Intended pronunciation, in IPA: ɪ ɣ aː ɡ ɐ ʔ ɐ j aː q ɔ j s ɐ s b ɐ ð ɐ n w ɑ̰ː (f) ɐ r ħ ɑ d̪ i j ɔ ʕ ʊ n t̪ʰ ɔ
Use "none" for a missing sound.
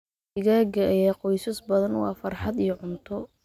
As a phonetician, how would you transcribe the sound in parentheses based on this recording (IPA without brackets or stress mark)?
f